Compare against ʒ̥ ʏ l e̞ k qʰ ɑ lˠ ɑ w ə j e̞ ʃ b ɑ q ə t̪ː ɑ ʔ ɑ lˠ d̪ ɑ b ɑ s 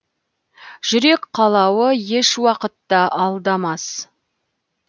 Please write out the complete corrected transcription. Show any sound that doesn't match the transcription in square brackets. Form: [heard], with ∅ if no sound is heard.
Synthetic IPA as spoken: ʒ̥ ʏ [ɾ] e̞ k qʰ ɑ lˠ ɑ w ə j e̞ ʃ [w] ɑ q ə t̪ː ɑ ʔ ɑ lˠ d̪ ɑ [m] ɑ s